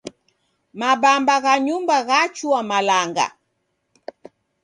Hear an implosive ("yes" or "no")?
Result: no